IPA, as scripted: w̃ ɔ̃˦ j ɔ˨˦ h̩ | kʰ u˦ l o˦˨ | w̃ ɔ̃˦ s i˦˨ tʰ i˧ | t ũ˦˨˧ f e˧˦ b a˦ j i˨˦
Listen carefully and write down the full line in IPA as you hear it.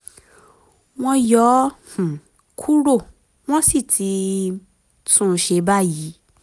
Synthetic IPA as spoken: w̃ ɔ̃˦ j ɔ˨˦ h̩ | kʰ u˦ ɾ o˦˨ | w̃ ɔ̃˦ s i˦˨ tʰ i˧ | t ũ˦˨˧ ʃ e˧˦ b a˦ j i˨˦